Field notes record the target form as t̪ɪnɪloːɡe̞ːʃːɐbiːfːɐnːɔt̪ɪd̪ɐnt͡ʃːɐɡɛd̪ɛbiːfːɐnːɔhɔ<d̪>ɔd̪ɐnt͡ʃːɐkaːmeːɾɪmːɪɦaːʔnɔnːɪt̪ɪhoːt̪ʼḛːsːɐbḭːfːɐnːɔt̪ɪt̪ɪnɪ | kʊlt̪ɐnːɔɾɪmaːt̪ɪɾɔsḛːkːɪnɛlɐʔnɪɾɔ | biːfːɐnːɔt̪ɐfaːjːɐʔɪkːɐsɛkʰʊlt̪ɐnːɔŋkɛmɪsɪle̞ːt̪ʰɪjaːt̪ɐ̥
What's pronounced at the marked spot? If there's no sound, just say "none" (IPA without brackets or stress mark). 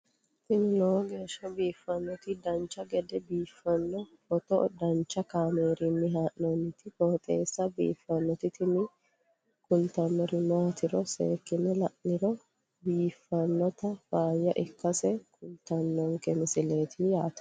t̪